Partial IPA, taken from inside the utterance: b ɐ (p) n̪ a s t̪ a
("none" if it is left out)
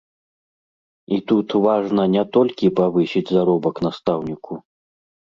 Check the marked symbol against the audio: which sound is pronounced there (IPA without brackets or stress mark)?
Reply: k